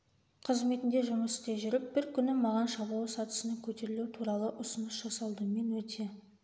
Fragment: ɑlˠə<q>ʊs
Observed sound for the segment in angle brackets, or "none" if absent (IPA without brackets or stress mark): ʔ